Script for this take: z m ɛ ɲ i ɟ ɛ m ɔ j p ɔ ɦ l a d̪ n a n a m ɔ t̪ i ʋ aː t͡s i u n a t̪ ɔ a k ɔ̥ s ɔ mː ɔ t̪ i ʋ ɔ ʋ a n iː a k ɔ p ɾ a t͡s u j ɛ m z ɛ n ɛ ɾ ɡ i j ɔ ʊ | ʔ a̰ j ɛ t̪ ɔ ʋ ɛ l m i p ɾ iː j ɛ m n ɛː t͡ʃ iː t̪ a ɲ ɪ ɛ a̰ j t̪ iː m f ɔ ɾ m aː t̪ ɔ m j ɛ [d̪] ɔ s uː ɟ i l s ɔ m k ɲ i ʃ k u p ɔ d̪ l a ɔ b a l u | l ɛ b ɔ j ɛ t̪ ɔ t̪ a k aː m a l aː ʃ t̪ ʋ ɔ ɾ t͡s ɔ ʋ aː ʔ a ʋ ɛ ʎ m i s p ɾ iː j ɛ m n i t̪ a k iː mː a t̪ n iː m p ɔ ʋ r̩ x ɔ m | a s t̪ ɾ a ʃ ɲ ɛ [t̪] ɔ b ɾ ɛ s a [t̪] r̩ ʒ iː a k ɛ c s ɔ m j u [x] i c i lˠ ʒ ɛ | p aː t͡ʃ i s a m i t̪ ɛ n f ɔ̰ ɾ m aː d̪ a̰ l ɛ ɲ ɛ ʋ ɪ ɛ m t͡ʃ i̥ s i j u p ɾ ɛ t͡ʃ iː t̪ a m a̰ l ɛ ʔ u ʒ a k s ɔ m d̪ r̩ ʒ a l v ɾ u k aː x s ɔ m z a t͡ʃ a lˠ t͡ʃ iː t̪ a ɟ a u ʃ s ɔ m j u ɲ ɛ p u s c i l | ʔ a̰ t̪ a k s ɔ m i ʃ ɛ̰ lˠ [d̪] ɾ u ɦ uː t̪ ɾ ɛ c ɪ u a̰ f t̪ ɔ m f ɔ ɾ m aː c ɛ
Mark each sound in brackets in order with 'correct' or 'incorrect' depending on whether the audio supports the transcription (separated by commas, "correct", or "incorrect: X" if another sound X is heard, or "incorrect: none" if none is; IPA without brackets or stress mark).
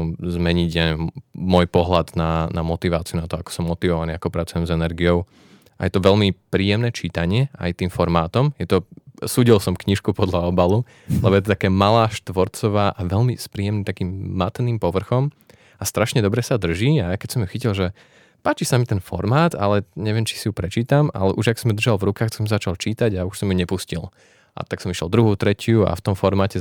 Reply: incorrect: t̪, incorrect: d̪, incorrect: d̪, correct, correct